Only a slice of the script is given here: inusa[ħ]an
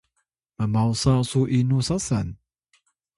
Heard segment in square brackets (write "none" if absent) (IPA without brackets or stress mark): s